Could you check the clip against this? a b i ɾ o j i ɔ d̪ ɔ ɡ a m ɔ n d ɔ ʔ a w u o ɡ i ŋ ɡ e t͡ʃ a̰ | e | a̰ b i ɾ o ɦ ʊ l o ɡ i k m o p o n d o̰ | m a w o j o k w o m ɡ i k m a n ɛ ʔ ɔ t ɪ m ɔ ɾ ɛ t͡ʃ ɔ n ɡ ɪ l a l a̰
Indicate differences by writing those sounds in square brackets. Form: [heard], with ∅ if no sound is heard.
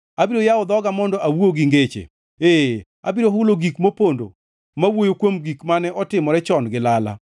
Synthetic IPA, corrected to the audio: a b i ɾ o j [a] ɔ d̪ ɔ ɡ a m ɔ n d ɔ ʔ a w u o ɡ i ŋ ɡ e t͡ʃ [ḛ] | e | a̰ b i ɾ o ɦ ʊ l o ɡ i k m o p o n d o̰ | m a w o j o k w o m ɡ i k m a n ɛ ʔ ɔ t ɪ m ɔ ɾ ɛ t͡ʃ ɔ n ɡ ɪ l a l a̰